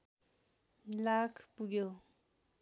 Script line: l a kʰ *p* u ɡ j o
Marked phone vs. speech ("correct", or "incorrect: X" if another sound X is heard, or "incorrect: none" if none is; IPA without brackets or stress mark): correct